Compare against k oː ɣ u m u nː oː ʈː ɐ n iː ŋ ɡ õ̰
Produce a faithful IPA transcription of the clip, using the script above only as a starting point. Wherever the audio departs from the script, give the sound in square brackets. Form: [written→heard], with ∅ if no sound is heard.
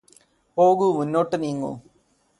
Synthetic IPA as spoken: [k→p] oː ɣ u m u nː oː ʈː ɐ n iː ŋ ɡ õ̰